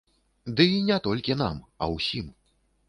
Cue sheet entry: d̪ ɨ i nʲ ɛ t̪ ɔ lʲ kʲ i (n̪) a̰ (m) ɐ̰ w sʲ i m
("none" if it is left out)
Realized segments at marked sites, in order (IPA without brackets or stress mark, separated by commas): n̪, m